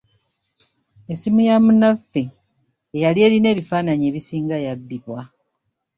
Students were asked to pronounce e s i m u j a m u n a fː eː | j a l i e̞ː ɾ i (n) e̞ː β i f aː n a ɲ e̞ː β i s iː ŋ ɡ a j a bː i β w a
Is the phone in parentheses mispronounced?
no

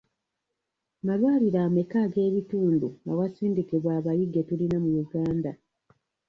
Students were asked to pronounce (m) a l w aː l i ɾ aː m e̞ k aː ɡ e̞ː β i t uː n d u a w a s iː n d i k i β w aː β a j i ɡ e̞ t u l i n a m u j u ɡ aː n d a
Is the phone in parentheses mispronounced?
no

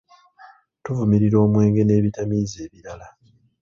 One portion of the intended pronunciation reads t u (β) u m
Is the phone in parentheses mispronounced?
yes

